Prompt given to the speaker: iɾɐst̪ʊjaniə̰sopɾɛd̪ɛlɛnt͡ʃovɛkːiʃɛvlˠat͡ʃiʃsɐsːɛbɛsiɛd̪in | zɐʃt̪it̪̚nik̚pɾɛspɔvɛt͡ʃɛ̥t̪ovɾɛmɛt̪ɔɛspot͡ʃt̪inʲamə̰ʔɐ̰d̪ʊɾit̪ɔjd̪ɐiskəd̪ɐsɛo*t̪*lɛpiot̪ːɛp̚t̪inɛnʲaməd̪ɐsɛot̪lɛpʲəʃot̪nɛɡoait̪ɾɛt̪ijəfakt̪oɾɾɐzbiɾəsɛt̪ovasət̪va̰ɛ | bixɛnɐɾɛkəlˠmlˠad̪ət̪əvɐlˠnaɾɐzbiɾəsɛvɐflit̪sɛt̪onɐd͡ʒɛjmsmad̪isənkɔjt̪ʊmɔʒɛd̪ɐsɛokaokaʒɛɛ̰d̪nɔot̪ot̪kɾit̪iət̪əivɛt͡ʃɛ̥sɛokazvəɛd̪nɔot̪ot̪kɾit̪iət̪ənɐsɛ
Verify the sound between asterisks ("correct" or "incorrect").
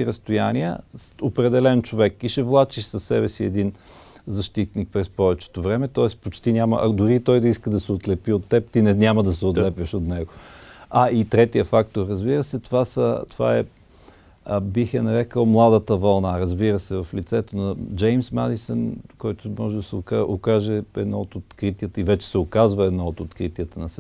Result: correct